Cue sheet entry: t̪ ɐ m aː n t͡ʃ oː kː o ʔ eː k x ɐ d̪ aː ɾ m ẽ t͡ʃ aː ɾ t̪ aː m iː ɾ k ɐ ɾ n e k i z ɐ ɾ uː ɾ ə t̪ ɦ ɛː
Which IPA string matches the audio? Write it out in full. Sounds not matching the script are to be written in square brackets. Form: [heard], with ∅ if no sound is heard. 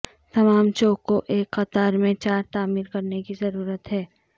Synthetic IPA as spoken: t̪ ɐ m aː [m] t͡ʃ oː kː o ʔ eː k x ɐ [t̪] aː ɾ m ẽ t͡ʃ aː ɾ t̪ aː m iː ɾ k ɐ ɾ n e k i z ɐ ɾ uː ɾ ə t̪ ɦ ɛː